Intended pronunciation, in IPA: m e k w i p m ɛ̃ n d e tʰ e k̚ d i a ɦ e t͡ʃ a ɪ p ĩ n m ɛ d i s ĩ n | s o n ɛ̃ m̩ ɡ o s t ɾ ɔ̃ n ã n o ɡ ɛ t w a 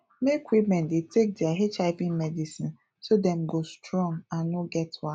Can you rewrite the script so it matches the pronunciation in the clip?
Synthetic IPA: m e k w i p m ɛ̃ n d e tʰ e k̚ d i a ɦ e t͡ʃ a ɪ p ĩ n m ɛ d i s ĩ n | s o d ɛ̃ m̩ ɡ o s t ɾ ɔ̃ ŋ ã n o ɡ ɛ t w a